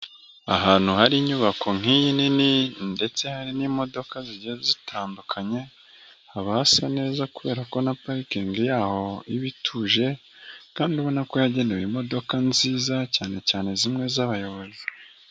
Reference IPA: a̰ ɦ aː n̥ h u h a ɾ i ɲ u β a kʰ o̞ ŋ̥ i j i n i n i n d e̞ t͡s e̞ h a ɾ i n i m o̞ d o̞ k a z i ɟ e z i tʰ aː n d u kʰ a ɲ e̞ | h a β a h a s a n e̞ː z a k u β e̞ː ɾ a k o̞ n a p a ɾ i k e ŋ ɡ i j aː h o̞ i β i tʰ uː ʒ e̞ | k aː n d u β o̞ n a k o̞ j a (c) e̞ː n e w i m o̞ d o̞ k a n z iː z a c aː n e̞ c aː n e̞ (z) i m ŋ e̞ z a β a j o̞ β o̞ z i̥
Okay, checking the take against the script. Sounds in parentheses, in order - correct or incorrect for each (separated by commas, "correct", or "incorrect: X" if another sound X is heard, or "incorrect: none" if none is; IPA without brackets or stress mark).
incorrect: ɟ, correct